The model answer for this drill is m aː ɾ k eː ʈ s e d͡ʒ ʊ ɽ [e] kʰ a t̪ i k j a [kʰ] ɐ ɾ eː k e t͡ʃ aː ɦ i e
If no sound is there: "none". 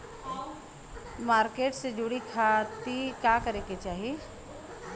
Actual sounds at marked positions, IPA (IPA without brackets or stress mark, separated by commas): i, k